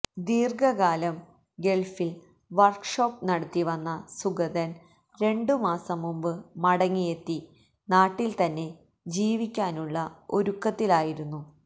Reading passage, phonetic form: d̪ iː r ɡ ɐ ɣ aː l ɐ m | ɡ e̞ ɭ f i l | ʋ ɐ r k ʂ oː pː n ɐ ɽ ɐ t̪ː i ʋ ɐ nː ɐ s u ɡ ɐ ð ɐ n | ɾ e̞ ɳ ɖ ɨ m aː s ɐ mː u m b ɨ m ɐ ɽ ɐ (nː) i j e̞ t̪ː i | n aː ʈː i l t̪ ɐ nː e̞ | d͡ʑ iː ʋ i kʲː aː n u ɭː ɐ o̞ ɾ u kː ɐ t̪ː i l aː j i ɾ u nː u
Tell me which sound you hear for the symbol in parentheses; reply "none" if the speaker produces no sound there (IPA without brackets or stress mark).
ŋː